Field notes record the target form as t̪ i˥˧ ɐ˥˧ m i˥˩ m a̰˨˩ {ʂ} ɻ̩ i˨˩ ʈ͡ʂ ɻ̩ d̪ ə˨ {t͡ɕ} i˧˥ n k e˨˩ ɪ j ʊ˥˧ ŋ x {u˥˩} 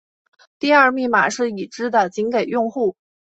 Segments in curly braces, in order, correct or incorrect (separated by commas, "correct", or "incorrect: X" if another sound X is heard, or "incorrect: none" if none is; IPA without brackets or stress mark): correct, correct, correct